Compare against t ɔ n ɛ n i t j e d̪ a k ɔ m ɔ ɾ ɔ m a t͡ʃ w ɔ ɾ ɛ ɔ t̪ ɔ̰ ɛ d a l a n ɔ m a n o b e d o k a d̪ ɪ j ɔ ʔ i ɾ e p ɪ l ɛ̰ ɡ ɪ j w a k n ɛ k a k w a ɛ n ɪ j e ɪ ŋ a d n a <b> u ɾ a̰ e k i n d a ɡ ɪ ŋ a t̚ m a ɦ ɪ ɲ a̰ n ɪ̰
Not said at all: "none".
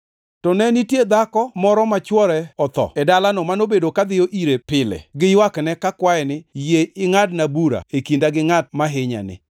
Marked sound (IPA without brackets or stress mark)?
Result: b